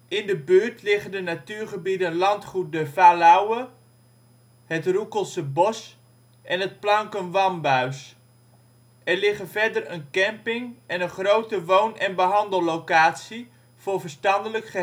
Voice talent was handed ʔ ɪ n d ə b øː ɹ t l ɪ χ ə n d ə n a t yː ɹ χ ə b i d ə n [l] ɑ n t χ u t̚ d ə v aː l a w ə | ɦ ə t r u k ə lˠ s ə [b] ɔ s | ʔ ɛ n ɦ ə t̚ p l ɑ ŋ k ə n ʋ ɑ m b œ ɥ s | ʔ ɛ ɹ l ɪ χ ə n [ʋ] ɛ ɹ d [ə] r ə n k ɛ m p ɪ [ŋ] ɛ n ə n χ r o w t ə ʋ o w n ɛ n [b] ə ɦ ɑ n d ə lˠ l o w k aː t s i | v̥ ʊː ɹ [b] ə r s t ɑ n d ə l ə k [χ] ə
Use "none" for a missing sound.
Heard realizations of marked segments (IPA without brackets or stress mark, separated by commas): l, b, v, ə, ŋ, b, v, χ